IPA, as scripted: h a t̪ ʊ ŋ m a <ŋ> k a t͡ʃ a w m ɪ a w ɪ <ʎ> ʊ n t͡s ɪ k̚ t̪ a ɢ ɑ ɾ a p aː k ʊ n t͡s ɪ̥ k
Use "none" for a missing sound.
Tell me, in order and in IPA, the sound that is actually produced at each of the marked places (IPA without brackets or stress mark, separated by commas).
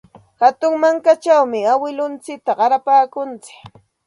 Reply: ŋ, l